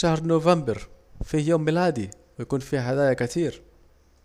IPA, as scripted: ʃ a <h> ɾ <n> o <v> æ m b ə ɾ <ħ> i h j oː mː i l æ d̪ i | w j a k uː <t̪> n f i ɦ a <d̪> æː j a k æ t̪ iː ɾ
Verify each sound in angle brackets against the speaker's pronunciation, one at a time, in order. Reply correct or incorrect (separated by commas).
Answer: correct, correct, correct, incorrect, incorrect, correct